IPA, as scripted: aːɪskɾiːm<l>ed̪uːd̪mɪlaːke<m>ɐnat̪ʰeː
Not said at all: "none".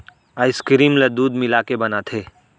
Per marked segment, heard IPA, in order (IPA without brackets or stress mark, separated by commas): l, b